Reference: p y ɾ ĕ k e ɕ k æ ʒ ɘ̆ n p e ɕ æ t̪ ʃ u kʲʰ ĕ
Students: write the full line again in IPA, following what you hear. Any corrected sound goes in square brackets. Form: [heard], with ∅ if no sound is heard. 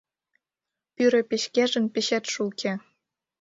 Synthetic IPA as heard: p y ɾ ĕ [p] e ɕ k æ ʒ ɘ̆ n p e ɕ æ t̪ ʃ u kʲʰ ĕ